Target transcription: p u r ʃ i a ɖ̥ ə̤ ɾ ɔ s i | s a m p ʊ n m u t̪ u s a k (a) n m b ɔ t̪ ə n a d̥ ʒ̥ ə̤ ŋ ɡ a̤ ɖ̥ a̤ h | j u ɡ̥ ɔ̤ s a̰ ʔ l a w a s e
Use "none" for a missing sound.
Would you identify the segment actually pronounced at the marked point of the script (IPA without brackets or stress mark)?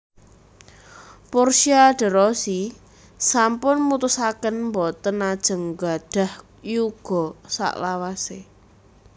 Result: ə